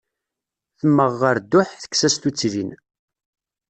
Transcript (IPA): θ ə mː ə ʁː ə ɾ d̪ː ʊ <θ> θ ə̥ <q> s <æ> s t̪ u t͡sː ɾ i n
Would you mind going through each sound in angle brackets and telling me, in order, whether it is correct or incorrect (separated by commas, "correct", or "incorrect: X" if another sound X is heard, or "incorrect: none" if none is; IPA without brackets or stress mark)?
incorrect: ħ, incorrect: k, correct